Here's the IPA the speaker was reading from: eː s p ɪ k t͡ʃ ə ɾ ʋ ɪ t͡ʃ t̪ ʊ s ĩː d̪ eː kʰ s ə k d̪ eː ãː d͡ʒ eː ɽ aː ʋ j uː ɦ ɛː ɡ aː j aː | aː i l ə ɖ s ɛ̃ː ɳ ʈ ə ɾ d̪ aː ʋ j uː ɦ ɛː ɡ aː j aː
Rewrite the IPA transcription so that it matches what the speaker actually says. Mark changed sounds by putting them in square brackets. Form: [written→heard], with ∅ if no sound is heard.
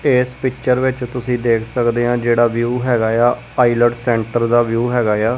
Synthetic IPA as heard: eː s p ɪ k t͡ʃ ə ɾ ʋ ɪ t͡ʃ t̪ ʊ s ĩː d̪ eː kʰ s ə k d̪ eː ãː d͡ʒ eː ɽ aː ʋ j uː ɦ ɛː ɡ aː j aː | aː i l ə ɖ s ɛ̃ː ɳ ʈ ə ɾ d̪ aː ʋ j uː ɦ ɛː ɡ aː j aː